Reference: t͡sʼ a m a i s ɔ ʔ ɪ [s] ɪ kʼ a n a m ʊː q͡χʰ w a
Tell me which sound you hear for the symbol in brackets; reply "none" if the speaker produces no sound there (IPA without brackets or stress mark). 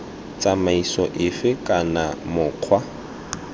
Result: f